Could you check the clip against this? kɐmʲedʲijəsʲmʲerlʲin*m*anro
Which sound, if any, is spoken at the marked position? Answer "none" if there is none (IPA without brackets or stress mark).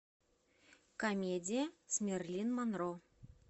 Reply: m